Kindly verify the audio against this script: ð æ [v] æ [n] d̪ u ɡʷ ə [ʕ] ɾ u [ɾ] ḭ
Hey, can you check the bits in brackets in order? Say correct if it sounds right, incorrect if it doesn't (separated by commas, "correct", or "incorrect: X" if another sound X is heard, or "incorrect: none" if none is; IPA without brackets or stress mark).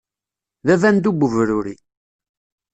correct, correct, incorrect: v, correct